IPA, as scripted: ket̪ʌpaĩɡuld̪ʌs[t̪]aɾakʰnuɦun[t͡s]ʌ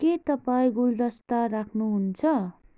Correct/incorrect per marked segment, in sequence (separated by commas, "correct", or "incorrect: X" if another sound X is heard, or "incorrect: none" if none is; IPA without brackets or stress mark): correct, incorrect: t͡sʰ